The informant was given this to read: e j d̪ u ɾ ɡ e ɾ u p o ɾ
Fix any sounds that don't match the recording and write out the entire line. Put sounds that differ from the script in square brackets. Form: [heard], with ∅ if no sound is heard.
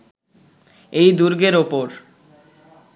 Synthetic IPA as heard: e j d̪ u ɾ ɡ e ɾ [o] p o ɾ